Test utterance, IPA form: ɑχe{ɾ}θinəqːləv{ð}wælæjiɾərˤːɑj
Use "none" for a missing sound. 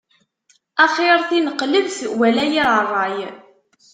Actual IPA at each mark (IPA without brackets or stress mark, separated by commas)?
ɾ, θ